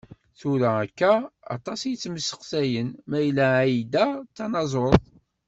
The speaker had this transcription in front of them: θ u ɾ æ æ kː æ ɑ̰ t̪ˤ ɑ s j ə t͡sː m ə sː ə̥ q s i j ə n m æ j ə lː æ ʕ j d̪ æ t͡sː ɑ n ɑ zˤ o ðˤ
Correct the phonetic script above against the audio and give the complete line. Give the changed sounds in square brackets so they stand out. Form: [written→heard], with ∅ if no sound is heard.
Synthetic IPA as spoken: θ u ɾ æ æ kː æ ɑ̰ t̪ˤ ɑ s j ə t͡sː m ə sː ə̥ q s [i→æ] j ə n m æ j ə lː æ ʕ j d̪ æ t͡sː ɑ n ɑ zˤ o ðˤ